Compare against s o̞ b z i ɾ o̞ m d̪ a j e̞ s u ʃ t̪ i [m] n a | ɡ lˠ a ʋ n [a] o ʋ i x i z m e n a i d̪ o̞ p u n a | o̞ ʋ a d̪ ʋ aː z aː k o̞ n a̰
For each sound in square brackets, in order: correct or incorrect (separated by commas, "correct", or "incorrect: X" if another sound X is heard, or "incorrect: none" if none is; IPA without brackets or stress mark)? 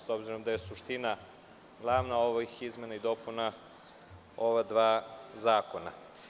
incorrect: none, correct